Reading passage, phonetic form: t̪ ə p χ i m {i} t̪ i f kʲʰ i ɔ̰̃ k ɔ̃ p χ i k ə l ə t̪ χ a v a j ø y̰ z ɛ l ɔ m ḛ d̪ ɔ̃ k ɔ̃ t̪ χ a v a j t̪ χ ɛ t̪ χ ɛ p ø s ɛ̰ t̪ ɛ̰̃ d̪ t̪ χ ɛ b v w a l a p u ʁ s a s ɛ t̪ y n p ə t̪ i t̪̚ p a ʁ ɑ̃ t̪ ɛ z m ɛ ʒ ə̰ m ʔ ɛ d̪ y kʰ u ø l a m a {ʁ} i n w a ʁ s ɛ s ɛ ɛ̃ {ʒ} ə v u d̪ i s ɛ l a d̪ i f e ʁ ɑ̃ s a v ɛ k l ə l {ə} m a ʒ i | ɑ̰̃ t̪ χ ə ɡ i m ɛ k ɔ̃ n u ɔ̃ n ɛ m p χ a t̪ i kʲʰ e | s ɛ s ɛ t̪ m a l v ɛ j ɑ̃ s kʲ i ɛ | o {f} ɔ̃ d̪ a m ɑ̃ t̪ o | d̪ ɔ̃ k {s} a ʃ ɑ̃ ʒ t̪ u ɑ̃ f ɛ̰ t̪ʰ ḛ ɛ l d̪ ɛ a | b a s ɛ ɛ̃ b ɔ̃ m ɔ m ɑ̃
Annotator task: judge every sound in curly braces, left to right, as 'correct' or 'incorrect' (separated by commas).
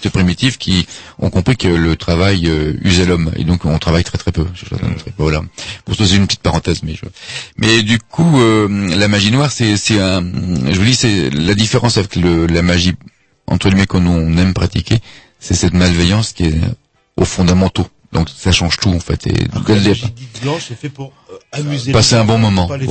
correct, incorrect, correct, incorrect, correct, correct